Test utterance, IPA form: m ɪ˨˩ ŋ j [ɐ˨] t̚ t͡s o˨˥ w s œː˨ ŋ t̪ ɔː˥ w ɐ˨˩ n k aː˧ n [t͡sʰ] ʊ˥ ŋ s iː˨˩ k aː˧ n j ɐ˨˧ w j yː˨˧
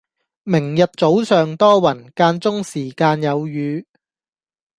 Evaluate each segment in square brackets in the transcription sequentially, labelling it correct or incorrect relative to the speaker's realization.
correct, incorrect: t͡s

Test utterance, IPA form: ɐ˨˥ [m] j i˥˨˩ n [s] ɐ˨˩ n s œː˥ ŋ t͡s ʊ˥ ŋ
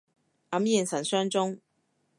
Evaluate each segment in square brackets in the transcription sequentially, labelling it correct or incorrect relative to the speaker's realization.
correct, correct

